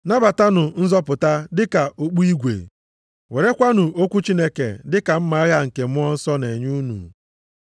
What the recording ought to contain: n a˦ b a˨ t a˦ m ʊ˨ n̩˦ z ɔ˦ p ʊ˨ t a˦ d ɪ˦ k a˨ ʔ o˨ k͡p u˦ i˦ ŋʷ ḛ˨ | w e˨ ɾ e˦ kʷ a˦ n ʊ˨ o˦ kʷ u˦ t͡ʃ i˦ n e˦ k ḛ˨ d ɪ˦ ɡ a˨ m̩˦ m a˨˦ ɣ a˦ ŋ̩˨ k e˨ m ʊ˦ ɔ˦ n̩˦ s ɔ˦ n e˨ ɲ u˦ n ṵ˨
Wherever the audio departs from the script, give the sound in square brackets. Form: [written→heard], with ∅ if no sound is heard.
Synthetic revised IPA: n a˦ b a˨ t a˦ [m→n] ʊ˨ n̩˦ z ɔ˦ p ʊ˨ t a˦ d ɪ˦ k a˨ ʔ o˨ k͡p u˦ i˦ [ŋʷ→ɡʷ] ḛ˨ | w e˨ ɾ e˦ kʷ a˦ n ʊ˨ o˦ kʷ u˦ t͡ʃ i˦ n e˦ k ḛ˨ d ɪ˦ [ɡ→k] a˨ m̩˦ m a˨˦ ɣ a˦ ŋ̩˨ k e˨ m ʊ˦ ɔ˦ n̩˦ s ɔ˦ n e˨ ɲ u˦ n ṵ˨